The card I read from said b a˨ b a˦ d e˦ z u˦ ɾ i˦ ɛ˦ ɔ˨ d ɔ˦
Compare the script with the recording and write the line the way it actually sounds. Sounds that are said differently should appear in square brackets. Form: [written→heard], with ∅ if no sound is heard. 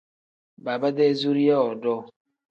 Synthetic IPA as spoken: b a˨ b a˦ d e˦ z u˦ ɾ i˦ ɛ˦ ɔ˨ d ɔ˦